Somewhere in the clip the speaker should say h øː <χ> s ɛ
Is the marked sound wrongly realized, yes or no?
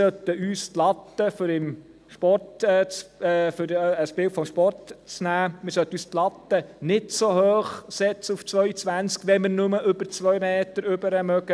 no